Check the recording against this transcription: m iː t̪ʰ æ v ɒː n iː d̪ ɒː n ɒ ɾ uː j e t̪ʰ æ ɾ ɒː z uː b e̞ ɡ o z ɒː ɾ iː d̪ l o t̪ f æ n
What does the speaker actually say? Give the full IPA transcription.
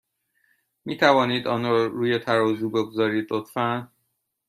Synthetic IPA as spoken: m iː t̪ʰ æ v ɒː n iː d̪ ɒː n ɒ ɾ uː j e t̪ʰ æ ɾ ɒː z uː b e̞ ɡ o z ɒː ɾ iː d̪ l o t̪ f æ n